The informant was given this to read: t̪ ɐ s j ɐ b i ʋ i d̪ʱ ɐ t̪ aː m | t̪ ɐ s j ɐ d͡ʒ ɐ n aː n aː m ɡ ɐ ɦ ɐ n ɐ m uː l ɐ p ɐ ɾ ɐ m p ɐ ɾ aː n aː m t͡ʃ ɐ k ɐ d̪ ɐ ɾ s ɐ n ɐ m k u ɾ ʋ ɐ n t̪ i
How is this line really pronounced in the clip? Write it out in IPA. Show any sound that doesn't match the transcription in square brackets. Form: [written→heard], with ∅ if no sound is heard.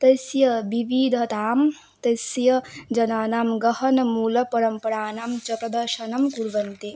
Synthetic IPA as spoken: t̪ ɐ s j ɐ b i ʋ i d̪ʱ ɐ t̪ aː m | t̪ ɐ s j ɐ d͡ʒ ɐ n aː n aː m ɡ ɐ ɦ ɐ n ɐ m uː l ɐ p ɐ ɾ ɐ m p ɐ ɾ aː n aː m t͡ʃ ɐ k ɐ d̪ ɐ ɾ [s→ʃ] ɐ n ɐ m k u ɾ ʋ ɐ n t̪ i

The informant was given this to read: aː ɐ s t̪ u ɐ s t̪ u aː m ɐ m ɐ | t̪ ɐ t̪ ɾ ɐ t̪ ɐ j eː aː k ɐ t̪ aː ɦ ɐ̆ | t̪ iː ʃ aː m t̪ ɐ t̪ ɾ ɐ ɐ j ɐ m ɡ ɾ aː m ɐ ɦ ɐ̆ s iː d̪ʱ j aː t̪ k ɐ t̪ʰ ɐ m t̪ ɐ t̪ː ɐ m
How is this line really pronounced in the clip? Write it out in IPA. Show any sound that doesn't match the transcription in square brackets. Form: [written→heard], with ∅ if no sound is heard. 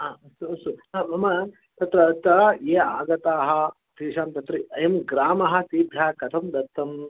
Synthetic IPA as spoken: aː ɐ s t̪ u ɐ s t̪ u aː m ɐ m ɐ | t̪ ɐ t̪ ɾ ɐ t̪ ɐ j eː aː [k→ɡ] ɐ t̪ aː ɦ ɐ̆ | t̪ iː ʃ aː m t̪ ɐ t̪ ɾ ɐ ɐ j ɐ m ɡ ɾ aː m ɐ ɦ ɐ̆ s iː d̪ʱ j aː [t̪→∅] k ɐ t̪ʰ ɐ m [t̪→d̪] ɐ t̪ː ɐ m

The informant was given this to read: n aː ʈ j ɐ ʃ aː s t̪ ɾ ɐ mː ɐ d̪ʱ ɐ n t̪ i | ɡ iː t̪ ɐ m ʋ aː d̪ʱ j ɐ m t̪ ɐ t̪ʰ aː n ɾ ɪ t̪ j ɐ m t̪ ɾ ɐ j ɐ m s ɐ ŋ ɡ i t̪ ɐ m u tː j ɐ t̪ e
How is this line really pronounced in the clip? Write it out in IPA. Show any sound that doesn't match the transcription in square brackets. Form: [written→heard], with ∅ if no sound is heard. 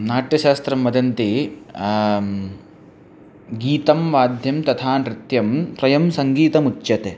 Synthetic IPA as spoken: n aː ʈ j ɐ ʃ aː s t̪ ɾ ɐ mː ɐ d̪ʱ ɐ n t̪ i | ɡ iː t̪ ɐ m ʋ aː d̪ʱ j ɐ m t̪ ɐ t̪ʰ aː n ɾ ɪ t̪ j ɐ m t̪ ɾ ɐ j ɐ m s ɐ ŋ ɡ [i→iː] t̪ ɐ m u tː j ɐ t̪ e

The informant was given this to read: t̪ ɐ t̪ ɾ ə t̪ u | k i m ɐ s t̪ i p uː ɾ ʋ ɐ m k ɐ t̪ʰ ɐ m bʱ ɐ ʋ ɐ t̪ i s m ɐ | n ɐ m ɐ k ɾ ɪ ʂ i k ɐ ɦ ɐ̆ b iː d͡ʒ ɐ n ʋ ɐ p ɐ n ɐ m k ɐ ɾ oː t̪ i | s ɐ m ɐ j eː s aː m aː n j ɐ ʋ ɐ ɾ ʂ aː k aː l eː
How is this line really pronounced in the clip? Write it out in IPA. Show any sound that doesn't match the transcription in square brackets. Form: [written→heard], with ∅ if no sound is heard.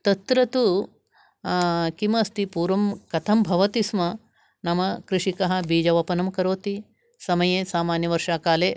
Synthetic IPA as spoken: t̪ ɐ t̪ ɾ [ə→ɐ] t̪ u | k i m ɐ s t̪ i p uː ɾ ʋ ɐ m k ɐ t̪ʰ ɐ m bʱ ɐ ʋ ɐ t̪ i s m ɐ | n ɐ m ɐ k ɾ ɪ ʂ i k ɐ ɦ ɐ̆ b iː d͡ʒ ɐ [n→∅] ʋ ɐ p ɐ n ɐ m k ɐ ɾ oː t̪ i | s ɐ m ɐ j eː s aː m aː n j ɐ ʋ ɐ ɾ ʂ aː k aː l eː

